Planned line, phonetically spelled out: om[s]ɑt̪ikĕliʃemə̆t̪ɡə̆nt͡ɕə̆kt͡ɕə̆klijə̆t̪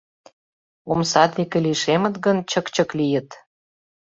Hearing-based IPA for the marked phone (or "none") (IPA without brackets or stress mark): s